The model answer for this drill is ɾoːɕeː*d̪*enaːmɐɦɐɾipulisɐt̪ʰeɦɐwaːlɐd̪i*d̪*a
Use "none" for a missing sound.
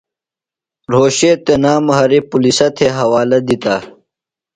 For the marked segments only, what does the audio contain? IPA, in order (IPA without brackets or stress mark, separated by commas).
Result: t̪, t̪